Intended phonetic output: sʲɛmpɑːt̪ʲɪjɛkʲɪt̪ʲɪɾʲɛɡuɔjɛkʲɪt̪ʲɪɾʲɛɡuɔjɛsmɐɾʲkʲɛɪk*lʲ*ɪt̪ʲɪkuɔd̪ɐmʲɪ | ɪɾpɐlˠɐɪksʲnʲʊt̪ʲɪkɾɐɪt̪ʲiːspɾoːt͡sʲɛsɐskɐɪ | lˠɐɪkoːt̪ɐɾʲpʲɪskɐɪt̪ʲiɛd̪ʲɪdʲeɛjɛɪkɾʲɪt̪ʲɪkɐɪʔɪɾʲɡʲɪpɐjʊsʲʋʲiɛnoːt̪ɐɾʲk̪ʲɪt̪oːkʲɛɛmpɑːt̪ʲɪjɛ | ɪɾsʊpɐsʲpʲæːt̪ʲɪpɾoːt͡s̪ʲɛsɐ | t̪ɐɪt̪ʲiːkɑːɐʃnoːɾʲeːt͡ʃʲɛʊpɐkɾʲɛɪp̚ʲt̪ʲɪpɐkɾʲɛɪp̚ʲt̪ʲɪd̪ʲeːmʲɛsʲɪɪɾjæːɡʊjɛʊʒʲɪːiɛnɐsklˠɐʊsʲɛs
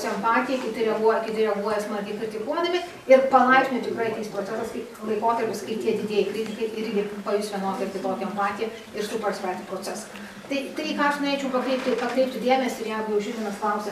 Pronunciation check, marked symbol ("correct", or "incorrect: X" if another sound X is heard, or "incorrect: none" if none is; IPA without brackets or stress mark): incorrect: ɾʲ